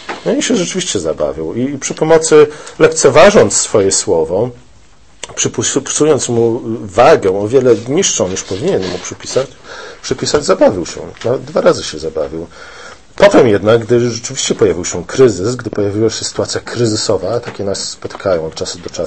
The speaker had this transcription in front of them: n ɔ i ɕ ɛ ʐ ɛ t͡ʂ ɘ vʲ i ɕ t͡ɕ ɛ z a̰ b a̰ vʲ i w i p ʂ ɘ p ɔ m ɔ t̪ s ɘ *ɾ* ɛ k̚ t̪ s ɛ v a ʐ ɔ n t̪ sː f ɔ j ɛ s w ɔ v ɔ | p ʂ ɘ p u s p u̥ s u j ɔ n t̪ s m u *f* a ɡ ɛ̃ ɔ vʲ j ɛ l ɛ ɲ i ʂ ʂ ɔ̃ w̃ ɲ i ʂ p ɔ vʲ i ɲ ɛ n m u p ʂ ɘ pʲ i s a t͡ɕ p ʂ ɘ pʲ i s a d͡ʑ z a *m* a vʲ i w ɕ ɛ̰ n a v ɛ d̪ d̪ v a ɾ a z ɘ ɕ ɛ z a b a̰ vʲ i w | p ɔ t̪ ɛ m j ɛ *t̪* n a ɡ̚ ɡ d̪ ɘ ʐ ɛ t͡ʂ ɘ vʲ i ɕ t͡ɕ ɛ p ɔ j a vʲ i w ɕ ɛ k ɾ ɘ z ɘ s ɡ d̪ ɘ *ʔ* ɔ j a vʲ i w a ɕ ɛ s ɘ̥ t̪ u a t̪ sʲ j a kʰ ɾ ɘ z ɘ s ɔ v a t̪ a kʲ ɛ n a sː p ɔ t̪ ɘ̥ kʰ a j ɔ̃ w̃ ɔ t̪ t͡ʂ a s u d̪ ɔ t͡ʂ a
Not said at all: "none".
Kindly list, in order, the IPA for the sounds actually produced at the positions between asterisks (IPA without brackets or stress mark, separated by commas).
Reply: l, v, b, d̪, p